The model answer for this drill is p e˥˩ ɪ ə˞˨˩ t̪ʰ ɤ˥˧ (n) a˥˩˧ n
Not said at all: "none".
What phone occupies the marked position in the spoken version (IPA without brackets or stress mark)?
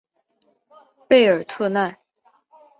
n